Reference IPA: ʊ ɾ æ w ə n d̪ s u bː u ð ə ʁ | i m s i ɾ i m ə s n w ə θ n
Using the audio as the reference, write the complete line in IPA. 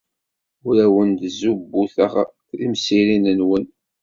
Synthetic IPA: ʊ ɾ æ w ə n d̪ z u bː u θ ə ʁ | i m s i ɾ i n ə n w ə n